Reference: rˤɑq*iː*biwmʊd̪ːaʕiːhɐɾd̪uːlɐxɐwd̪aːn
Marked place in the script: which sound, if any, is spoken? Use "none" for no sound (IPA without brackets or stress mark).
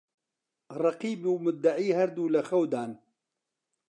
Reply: iː